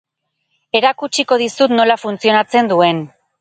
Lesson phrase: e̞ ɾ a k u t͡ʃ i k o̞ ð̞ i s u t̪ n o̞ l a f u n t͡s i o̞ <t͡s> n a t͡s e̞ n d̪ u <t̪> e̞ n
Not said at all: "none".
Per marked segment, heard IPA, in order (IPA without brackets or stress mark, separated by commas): none, none